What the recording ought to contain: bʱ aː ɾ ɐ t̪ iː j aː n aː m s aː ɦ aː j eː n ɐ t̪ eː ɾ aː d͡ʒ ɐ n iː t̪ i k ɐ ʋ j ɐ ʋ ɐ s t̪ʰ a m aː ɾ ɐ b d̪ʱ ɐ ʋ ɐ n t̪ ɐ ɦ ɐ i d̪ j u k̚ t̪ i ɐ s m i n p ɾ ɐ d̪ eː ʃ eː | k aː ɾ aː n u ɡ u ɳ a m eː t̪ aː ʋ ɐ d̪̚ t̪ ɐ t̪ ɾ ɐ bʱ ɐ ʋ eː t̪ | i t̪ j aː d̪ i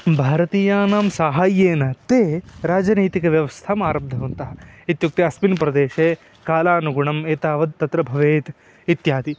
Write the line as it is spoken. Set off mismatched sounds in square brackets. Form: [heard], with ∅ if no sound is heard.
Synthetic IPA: bʱ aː ɾ ɐ t̪ iː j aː n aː m s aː ɦ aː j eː n ɐ t̪ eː ɾ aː d͡ʒ ɐ n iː t̪ i k ɐ ʋ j ɐ ʋ ɐ s t̪ʰ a m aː ɾ ɐ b d̪ʱ ɐ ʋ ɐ n t̪ ɐ ɦ ɐ i [t̪] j u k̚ t̪ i ɐ s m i n p ɾ ɐ d̪ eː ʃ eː | k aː [l] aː n u ɡ u ɳ [ɐ] m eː t̪ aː ʋ ɐ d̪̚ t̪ ɐ t̪ ɾ ɐ bʱ ɐ ʋ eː t̪ | i t̪ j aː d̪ i